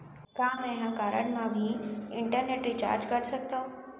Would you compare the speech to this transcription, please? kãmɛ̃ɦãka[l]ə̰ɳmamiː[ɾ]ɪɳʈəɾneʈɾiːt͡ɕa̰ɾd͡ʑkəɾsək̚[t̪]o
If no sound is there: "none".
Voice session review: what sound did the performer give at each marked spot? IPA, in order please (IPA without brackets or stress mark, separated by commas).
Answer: ɾ, none, t̪